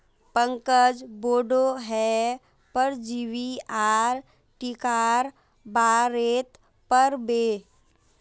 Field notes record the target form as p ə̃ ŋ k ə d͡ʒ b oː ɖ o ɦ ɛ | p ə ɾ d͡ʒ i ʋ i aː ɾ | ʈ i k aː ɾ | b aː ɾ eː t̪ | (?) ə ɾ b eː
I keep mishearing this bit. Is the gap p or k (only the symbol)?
p